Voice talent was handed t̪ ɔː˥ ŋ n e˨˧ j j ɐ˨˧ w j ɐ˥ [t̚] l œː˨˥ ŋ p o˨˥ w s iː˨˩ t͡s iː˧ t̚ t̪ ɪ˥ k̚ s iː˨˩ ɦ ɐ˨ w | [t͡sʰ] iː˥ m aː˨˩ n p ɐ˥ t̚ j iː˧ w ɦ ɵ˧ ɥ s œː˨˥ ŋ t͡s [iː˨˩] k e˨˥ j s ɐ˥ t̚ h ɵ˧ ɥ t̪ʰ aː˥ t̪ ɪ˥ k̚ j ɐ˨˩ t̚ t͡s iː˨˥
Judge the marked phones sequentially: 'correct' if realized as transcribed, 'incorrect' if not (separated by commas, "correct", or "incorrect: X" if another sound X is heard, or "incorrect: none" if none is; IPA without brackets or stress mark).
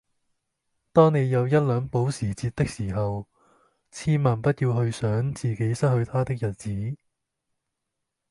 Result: correct, correct, correct